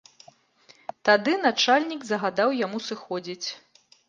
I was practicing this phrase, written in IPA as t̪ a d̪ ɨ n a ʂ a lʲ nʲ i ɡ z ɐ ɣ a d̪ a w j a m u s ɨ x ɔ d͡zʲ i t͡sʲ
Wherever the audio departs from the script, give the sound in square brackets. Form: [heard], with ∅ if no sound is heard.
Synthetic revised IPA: t̪ a d̪ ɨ n a [t͡ʂ] a lʲ nʲ i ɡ z ɐ ɣ a d̪ a w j a m u s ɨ x ɔ d͡zʲ i t͡sʲ